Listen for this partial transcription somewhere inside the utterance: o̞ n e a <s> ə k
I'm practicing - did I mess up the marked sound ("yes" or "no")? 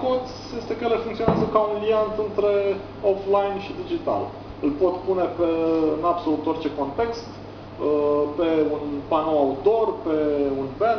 yes